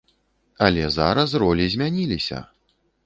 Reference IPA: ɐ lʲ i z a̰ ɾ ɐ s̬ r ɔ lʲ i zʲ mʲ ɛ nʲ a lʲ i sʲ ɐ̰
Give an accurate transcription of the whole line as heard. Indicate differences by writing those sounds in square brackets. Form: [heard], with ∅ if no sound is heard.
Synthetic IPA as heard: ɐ lʲ [ɛ] z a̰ ɾ ɐ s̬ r ɔ lʲ i zʲ mʲ [a] nʲ [i] lʲ i sʲ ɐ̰